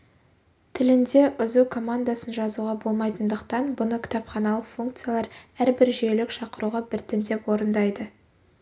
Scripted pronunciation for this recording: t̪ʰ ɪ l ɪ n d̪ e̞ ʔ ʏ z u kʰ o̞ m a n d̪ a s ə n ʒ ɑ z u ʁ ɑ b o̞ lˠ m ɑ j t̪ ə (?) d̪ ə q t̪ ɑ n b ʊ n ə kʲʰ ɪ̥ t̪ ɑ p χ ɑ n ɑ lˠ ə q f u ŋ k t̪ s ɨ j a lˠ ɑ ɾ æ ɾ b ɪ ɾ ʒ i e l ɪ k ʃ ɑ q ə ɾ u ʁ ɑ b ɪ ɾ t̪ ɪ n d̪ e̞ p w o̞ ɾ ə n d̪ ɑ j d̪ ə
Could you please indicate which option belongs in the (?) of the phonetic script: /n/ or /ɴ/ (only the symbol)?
n